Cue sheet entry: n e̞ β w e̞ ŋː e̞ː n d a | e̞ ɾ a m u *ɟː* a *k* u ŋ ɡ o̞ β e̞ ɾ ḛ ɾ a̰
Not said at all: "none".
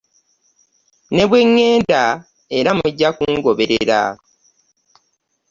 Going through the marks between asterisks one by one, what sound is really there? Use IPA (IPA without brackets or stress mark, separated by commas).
ɟː, k